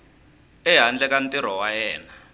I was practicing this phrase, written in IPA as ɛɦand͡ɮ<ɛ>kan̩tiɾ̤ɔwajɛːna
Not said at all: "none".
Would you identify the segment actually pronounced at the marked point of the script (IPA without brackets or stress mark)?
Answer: ɛ